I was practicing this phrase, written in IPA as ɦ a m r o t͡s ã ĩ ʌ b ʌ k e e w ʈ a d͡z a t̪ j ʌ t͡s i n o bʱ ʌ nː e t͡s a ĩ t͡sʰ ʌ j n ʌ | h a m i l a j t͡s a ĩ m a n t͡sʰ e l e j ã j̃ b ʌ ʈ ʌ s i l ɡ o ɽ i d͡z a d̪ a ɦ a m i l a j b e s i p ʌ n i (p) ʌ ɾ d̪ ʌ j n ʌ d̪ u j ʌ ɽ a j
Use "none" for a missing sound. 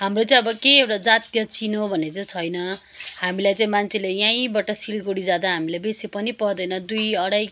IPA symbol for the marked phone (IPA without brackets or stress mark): p